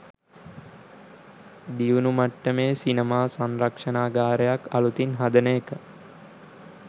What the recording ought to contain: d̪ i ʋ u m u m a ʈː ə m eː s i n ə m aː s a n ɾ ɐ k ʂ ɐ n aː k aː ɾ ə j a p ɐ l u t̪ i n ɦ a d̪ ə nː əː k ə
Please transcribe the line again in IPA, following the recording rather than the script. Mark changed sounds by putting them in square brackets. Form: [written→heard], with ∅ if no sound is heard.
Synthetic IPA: d̪ i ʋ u [m→n] u m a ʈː ə m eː s i n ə m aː s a n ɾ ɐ k ʂ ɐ n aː [k→ɡ] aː ɾ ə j a [p→k] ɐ l u t̪ i n ɦ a d̪ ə [nː→n] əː k ə